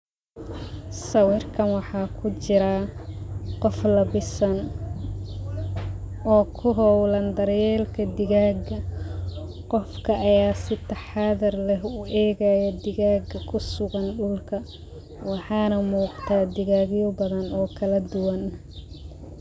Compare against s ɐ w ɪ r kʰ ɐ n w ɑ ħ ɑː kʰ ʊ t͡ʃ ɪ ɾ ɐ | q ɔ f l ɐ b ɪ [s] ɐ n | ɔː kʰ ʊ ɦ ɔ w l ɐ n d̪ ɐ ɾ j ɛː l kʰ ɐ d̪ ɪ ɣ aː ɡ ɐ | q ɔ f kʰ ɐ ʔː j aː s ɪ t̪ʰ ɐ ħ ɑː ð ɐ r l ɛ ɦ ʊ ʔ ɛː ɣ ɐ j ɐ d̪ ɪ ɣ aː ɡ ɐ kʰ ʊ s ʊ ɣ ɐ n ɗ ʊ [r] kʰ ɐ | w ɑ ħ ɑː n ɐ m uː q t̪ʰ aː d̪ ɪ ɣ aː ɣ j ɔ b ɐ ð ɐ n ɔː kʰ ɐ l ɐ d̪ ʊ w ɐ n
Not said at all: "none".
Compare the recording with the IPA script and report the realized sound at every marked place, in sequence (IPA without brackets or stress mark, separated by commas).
s, l